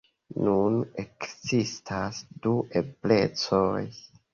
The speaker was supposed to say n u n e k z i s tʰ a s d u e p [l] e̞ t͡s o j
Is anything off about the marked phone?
no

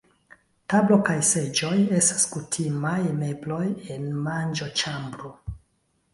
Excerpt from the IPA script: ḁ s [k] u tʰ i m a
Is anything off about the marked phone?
no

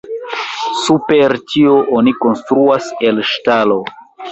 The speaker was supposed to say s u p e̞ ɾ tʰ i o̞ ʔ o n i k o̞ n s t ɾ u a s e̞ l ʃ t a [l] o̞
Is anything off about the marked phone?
no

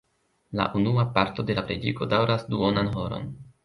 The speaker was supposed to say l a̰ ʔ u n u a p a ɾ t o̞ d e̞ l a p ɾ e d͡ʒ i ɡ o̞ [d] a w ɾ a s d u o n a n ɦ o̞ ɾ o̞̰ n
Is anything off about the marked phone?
no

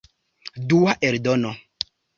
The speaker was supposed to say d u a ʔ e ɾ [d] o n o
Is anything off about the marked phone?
no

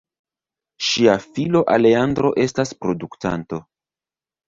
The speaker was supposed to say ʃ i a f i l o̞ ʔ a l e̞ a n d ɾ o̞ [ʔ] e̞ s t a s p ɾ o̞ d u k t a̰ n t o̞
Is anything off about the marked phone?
no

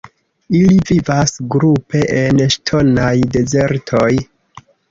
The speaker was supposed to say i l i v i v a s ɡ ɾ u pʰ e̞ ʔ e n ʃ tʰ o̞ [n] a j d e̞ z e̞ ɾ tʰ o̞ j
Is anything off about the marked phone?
no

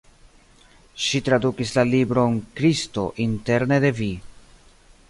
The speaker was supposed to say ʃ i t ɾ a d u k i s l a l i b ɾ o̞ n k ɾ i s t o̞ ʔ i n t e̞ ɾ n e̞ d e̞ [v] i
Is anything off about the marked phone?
no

